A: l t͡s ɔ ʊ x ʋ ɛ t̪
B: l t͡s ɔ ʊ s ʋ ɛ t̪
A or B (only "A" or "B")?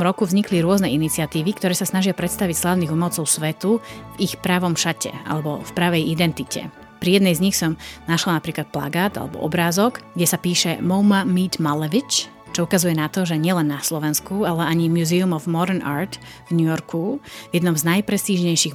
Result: B